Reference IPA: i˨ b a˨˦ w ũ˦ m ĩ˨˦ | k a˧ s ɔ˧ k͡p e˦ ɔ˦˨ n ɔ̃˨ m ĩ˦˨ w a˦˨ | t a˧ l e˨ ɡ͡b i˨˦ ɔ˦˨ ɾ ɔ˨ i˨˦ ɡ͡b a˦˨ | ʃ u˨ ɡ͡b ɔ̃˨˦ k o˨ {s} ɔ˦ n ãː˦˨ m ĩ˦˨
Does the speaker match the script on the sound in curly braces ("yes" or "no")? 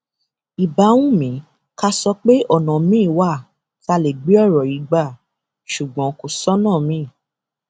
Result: yes